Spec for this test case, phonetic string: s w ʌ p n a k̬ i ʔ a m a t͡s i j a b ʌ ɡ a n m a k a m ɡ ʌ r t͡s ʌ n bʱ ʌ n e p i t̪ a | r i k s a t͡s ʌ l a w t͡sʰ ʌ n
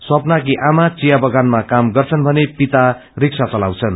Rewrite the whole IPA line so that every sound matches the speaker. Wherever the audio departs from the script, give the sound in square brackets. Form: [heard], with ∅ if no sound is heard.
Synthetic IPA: s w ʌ p n a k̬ i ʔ a m a t͡s i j a b ʌ ɡ a n m a k a m ɡ ʌ r [t͡sʰ] ʌ n bʱ ʌ n e p i t̪ a | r i k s a t͡s ʌ l a w t͡sʰ ʌ n